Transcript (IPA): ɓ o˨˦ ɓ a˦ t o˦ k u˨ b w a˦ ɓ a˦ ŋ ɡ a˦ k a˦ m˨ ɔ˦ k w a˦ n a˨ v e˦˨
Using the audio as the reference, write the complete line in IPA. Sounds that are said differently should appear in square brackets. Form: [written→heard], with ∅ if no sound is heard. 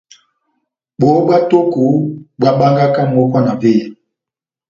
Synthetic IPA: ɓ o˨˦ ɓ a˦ t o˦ k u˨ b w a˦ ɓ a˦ ŋ ɡ a˦ k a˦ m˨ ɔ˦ k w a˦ n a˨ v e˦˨